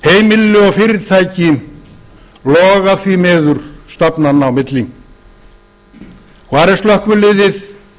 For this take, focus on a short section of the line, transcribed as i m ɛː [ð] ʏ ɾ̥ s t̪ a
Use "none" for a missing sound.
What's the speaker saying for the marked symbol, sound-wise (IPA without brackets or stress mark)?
ð